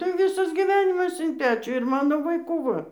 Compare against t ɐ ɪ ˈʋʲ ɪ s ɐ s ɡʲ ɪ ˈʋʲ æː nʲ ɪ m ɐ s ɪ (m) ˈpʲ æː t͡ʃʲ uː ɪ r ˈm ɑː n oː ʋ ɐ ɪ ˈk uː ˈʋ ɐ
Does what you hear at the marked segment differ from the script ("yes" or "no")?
yes